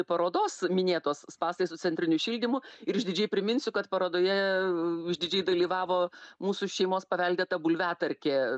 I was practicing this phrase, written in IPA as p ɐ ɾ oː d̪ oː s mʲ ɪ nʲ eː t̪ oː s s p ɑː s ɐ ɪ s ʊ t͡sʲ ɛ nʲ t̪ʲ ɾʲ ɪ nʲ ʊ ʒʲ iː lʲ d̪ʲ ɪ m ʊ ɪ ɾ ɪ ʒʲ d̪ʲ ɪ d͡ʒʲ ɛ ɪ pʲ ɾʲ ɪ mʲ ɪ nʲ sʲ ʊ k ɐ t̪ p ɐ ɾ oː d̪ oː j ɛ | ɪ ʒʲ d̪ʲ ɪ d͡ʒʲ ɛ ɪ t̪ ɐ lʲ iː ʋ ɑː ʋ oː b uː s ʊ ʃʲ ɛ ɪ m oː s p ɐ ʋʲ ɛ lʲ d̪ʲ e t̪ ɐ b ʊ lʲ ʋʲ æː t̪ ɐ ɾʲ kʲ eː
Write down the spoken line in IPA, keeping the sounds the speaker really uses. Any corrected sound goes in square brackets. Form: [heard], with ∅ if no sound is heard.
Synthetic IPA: p ɐ ɾ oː d̪ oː s mʲ ɪ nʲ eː t̪ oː s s p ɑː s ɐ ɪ s ʊ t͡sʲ ɛ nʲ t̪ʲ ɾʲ ɪ nʲ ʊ [ʃʲ] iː lʲ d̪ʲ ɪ m ʊ ɪ ɾ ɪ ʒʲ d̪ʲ ɪ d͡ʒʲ ɛ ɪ pʲ ɾʲ ɪ mʲ ɪ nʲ sʲ ʊ k ɐ t̪ p ɐ ɾ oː d̪ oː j ɛ | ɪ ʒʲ d̪ʲ ɪ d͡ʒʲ ɛ ɪ [d̪] ɐ lʲ iː ʋ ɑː ʋ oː [m] uː s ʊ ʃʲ ɛ ɪ m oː s p ɐ ʋʲ ɛ lʲ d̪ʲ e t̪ ɐ b ʊ lʲ ʋʲ æː t̪ ɐ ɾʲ kʲ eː

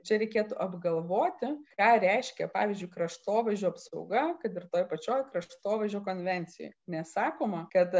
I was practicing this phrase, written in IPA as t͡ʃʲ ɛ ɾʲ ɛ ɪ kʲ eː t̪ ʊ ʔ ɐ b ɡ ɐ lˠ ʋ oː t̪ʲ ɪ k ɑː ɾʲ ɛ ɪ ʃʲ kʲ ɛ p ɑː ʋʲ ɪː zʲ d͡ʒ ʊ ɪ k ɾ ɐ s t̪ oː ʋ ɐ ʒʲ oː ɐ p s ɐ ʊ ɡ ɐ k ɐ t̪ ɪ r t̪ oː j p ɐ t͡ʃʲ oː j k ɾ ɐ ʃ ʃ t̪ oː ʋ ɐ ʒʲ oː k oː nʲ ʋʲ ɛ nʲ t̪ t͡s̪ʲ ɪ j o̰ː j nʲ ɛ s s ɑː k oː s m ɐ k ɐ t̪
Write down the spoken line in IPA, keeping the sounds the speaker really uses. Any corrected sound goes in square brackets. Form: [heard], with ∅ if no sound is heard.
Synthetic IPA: t͡ʃʲ ɛ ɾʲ ɛ ɪ kʲ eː t̪ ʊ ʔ ɐ b ɡ ɐ lˠ ʋ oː t̪ʲ ɪ k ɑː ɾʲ ɛ ɪ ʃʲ kʲ ɛ p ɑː ʋʲ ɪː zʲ d͡ʒ ʊ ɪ k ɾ ɐ [ʃ] t̪ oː ʋ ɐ ʒʲ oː ɐ p s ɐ ʊ ɡ ɐ k ɐ t̪ ɪ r t̪ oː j p ɐ t͡ʃʲ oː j k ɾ ɐ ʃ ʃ t̪ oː ʋ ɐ ʒʲ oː k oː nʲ ʋʲ ɛ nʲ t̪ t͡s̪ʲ ɪ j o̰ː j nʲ ɛ s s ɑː k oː [∅] m ɐ k ɐ t̪

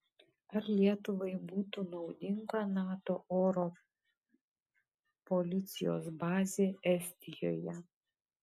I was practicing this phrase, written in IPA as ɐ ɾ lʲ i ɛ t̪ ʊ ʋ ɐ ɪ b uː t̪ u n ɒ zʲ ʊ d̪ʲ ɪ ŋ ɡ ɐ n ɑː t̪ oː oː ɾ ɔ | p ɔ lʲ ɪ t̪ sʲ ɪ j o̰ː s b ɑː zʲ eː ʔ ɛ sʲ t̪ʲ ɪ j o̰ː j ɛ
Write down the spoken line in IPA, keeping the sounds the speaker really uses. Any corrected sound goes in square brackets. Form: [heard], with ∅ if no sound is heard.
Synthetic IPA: ɐ ɾ lʲ i ɛ t̪ ʊ ʋ ɐ ɪ b uː t̪ u n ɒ [∅] ʊ d̪ʲ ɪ ŋ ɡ ɐ n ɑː t̪ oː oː ɾ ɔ | p ɔ lʲ ɪ t̪ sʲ ɪ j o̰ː s b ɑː zʲ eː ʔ ɛ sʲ t̪ʲ ɪ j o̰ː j ɛ

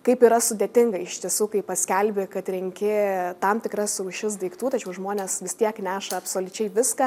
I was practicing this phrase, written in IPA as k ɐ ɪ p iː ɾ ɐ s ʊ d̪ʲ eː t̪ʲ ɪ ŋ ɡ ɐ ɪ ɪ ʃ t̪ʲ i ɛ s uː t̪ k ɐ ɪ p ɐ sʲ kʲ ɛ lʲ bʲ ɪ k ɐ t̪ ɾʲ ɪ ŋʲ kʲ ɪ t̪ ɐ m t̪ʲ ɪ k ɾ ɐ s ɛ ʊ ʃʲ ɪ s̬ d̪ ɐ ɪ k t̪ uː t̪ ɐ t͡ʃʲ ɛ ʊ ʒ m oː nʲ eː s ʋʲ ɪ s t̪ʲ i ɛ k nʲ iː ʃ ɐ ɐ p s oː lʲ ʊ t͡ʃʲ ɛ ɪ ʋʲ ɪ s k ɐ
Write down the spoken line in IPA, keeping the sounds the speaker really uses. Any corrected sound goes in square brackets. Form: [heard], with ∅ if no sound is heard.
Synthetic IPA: k ɐ ɪ p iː ɾ ɐ s ʊ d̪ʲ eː t̪ʲ ɪ ŋ ɡ ɐ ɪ ɪ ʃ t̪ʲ i ɛ s uː [∅] k ɐ ɪ p ɐ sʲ kʲ ɛ lʲ bʲ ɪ k ɐ t̪ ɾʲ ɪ ŋʲ kʲ ɪ t̪ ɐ m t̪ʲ ɪ k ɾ ɐ s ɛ ʊ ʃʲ ɪ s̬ d̪ ɐ ɪ k t̪ uː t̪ ɐ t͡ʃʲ ɛ ʊ ʒ m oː nʲ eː s ʋʲ ɪ s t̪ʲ i ɛ k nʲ [æː] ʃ ɐ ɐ p s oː lʲ ʊ t͡ʃʲ ɛ ɪ ʋʲ ɪ s k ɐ

